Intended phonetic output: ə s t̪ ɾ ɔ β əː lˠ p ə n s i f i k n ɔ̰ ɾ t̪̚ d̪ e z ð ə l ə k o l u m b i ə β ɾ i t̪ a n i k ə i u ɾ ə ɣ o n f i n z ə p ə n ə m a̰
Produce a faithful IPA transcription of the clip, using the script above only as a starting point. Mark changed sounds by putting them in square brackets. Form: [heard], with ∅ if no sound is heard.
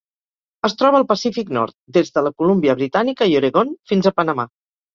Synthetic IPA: ə s t̪ ɾ ɔ β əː lˠ p ə [∅] s i f i k n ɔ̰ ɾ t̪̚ d̪ e z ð ə l ə k [u] l u m b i ə β ɾ i t̪ a n i k ə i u ɾ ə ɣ o n f i n z ə p ə n ə m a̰